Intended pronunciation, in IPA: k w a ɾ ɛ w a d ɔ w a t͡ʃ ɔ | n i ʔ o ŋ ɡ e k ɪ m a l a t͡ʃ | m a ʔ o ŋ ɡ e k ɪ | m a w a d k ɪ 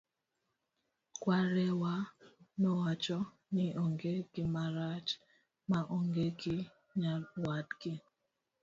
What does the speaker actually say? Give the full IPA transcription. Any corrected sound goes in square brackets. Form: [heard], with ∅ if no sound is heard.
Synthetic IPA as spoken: k w a ɾ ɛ w a [n] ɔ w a t͡ʃ ɔ | n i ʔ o ŋ ɡ e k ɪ m a [ɾ] a t͡ʃ | m a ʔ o ŋ ɡ e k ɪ | [ɲ] a w a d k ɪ